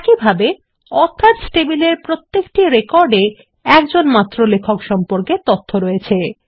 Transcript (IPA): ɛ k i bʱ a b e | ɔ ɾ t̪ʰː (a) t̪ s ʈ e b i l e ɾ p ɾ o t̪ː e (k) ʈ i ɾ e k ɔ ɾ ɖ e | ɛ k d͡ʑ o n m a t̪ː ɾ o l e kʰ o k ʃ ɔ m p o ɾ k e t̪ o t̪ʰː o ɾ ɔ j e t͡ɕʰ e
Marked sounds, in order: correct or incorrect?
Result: correct, correct

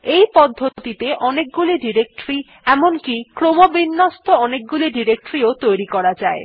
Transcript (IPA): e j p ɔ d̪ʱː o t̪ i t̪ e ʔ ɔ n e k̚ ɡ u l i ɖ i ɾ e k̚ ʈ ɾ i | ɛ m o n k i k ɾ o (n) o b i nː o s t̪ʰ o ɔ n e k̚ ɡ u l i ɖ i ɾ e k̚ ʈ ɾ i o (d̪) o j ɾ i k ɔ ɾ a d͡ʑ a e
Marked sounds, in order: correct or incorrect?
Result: incorrect: m, incorrect: t̪

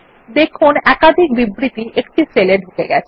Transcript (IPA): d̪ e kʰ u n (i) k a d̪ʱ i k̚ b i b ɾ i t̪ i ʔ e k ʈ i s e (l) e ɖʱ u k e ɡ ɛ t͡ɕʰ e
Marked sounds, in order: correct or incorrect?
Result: incorrect: ɛ, correct

